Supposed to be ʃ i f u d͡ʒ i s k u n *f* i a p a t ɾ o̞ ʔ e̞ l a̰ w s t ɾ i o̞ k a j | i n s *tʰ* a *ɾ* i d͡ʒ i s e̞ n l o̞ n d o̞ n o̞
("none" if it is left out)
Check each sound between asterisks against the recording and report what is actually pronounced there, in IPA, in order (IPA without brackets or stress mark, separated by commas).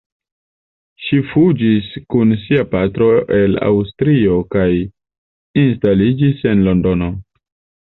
s, t, l